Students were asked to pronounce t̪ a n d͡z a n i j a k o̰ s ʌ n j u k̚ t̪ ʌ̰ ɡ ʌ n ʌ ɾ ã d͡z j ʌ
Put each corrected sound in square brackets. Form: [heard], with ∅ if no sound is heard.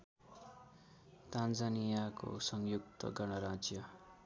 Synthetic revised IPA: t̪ a n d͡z a n i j a k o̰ s ʌ [ŋ] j u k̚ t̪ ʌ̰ ɡ ʌ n ʌ ɾ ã d͡z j ʌ